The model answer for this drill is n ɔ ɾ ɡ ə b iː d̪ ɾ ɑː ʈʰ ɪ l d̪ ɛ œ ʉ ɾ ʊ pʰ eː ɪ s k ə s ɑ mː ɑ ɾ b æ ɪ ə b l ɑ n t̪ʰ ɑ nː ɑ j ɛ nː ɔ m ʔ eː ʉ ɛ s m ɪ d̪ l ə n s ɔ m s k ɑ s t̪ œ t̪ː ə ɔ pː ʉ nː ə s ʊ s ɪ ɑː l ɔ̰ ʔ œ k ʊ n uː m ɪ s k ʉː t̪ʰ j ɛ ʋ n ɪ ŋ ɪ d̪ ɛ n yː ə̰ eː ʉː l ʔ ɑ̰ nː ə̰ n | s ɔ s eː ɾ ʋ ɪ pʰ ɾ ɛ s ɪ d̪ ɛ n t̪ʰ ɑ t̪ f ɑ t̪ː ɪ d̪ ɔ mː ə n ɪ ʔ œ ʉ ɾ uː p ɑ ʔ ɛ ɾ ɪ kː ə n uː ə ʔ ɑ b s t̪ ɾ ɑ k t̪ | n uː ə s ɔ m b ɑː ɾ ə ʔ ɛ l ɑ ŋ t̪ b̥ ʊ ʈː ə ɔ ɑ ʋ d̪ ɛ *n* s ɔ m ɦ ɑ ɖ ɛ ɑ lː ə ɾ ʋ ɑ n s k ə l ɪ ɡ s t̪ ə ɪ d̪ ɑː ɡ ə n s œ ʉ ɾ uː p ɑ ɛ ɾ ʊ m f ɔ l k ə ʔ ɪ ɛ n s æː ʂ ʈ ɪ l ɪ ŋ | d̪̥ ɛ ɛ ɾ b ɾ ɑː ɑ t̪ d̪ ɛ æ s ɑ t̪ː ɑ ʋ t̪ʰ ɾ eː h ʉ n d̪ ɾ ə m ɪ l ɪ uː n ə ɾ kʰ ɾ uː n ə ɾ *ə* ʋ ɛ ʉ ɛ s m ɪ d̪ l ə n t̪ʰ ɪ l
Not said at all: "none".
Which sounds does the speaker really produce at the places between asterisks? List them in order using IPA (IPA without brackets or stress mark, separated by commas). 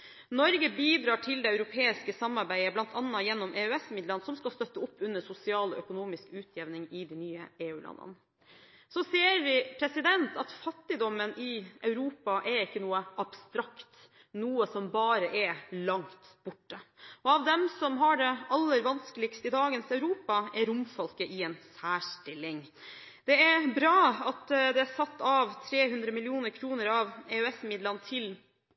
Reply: m, ɑ